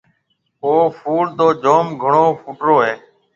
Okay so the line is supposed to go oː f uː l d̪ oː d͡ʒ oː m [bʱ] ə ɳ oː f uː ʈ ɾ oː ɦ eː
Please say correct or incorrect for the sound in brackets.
incorrect: ɡʱ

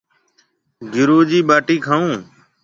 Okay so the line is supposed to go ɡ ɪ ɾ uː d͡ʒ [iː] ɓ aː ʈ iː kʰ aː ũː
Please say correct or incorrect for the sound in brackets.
correct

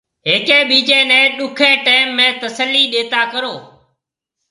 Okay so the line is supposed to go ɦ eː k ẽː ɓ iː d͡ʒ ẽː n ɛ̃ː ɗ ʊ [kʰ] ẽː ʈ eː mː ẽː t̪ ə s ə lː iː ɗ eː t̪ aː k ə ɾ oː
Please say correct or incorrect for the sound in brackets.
correct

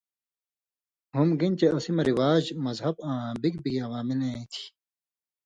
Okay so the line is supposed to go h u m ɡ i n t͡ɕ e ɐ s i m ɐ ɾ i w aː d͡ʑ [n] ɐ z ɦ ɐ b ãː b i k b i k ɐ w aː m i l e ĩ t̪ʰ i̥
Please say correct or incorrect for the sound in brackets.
incorrect: m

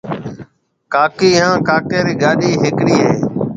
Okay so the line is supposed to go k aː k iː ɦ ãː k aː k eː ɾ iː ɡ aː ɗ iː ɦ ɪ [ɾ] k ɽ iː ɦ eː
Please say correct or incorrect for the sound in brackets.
incorrect: none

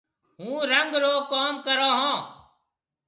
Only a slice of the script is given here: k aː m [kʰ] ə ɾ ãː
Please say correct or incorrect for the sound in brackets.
incorrect: k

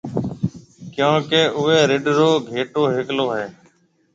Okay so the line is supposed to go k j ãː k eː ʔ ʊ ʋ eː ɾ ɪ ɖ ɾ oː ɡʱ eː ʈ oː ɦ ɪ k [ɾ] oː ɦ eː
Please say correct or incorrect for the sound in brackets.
incorrect: l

